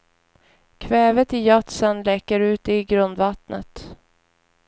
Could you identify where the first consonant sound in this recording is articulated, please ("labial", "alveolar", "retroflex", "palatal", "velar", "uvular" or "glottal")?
velar